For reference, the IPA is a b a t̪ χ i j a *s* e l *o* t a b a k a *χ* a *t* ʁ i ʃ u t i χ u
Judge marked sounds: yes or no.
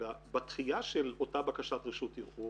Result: no, yes, no, yes

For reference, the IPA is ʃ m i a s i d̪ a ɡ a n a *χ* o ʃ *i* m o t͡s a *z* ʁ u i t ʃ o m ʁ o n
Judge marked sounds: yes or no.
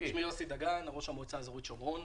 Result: no, no, yes

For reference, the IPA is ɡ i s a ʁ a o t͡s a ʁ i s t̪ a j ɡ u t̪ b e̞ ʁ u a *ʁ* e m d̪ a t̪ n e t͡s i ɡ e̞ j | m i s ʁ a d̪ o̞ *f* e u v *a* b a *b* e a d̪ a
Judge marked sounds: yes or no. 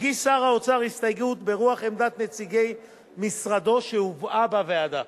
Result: no, no, yes, no

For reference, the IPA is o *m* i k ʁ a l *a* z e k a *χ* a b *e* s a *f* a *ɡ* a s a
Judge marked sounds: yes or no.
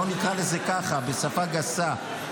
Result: no, no, yes, yes, yes, yes

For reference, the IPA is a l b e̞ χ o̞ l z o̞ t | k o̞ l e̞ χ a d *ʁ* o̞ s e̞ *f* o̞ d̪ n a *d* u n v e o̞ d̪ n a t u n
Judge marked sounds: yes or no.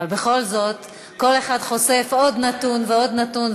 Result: no, yes, no

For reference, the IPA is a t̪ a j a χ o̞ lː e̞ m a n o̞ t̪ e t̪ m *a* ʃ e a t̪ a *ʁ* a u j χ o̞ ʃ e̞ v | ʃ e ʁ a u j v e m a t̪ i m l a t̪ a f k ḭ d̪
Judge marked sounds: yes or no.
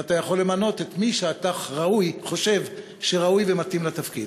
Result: no, yes

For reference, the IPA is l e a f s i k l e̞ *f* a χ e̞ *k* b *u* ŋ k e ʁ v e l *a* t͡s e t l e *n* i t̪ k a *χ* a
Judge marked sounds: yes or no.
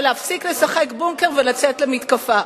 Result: no, yes, yes, yes, no, no

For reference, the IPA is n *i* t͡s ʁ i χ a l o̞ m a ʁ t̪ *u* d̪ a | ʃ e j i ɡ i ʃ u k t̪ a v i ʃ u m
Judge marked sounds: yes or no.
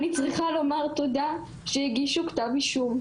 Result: yes, no

